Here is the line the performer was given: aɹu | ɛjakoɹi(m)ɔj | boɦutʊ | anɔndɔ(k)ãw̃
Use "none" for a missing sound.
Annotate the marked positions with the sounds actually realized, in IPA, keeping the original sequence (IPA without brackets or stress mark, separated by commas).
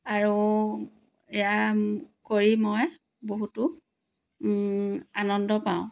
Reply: m, p